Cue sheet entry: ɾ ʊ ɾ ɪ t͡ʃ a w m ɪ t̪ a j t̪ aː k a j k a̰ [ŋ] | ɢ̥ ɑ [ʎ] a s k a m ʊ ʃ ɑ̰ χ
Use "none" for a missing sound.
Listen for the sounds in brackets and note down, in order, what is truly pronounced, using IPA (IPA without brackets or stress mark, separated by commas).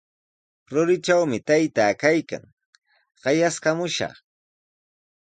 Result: ŋ, j